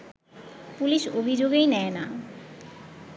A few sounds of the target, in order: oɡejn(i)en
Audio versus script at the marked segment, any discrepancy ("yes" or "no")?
yes